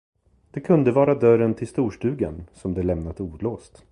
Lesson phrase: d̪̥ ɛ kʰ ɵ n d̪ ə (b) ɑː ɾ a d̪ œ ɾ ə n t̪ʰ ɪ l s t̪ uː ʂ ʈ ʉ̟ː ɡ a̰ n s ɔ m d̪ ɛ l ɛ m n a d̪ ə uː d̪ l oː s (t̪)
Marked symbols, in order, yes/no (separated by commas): no, yes